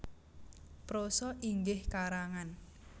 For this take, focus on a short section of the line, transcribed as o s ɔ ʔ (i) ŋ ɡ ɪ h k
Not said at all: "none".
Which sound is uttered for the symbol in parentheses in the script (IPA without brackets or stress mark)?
i